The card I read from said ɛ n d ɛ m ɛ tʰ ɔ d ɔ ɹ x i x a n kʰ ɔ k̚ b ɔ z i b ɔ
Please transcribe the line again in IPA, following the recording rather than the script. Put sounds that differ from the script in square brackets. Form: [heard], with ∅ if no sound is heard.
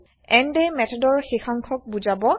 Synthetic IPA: ɛ n d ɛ m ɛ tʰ ɔ d ɔ ɹ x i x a [ŋ] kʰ ɔ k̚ b [u] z [a] b ɔ